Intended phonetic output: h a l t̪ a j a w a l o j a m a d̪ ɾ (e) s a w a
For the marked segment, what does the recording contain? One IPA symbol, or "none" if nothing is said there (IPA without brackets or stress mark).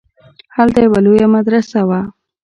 a